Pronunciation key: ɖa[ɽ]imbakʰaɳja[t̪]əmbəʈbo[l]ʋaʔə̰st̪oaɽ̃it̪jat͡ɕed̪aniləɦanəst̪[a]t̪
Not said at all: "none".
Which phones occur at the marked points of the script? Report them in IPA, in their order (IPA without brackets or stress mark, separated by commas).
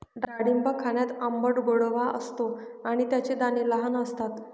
ɽ, t̪, ɽ, a